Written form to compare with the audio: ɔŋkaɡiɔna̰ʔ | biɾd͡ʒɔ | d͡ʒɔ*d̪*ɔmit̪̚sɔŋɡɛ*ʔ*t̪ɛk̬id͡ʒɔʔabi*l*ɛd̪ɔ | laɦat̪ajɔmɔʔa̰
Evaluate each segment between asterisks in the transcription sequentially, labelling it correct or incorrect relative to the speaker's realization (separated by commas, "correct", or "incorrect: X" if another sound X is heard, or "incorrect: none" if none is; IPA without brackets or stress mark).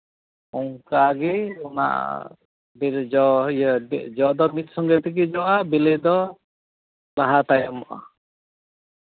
correct, incorrect: none, correct